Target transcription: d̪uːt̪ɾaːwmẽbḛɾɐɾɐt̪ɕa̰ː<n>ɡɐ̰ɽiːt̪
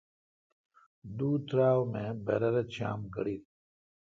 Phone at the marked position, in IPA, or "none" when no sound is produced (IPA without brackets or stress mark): m